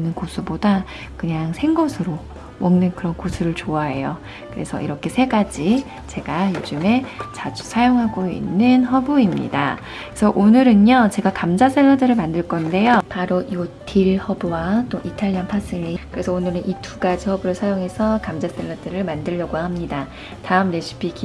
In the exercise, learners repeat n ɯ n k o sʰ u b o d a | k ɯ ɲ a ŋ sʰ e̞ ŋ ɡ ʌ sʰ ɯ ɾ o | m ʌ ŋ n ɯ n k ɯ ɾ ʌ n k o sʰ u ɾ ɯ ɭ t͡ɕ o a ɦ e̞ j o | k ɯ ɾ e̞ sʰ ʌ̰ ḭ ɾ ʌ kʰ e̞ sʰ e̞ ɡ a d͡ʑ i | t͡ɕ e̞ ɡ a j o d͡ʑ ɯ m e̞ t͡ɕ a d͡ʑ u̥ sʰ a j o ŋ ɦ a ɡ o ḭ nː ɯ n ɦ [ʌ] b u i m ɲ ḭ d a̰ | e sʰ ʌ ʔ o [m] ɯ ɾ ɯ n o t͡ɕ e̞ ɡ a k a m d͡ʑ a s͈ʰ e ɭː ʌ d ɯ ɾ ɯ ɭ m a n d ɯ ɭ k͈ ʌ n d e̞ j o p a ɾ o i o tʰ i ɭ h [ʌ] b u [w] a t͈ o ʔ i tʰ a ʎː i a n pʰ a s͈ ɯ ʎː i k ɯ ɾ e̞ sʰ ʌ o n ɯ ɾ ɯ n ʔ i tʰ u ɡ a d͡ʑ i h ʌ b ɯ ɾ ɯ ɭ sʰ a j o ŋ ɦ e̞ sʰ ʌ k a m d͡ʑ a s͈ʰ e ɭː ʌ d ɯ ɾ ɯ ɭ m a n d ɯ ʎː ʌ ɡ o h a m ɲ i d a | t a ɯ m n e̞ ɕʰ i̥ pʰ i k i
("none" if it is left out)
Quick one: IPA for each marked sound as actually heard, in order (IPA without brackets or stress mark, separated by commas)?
ʌ, n, ʌ, w